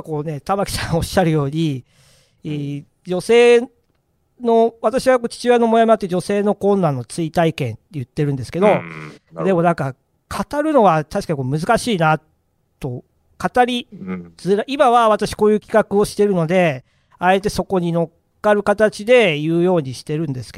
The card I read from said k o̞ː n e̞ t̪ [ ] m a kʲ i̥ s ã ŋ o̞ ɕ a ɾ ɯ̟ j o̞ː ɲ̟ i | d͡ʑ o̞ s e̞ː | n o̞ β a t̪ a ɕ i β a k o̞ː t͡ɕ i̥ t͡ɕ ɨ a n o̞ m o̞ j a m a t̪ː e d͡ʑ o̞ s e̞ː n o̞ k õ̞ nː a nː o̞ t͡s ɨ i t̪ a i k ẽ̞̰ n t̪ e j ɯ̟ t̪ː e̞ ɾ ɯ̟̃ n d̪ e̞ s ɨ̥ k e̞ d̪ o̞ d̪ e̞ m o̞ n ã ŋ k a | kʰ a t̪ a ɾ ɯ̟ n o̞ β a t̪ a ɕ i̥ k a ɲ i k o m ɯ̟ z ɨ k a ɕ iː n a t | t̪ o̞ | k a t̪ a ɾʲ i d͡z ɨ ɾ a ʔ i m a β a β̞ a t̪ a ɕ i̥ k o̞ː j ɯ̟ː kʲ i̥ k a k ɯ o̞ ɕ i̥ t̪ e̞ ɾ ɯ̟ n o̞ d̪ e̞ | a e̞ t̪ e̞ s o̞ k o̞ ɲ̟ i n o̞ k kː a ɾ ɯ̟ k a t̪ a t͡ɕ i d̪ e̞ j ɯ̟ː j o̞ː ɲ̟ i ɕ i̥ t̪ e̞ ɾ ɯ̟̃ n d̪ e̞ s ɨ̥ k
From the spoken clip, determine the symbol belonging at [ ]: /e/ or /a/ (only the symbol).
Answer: a